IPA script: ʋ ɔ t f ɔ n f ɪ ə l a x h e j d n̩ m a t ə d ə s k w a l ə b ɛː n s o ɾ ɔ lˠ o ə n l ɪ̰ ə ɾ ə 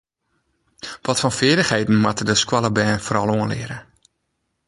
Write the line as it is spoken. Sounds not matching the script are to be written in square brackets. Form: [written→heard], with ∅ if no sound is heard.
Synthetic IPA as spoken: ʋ ɔ t f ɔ n f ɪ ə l [a→ə] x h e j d n̩ m a t ə d ə s k w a l ə b ɛː n [s→f] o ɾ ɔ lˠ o ə n l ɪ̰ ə ɾ ə